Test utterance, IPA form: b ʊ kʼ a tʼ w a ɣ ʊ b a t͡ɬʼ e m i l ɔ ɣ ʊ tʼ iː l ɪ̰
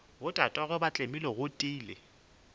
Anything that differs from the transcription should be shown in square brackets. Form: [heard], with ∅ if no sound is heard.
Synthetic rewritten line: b ʊ [tʼ] a tʼ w a ɣ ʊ b a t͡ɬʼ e m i l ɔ ɣ ʊ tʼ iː l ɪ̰